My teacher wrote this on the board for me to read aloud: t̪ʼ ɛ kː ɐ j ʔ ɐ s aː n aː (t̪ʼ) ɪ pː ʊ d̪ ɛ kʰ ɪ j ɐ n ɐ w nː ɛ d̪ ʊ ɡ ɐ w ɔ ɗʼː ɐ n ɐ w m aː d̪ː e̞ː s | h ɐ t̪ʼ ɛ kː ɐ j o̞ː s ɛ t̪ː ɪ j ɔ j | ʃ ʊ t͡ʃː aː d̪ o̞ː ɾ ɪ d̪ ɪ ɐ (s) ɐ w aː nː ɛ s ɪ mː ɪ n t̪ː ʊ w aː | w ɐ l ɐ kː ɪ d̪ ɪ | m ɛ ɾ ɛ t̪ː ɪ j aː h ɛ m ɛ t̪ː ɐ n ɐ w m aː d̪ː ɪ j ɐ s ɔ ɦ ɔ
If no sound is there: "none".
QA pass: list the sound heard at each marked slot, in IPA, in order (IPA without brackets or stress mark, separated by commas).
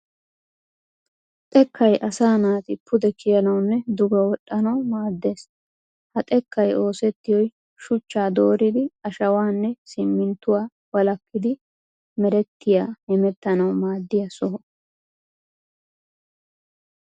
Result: t̪, ʃ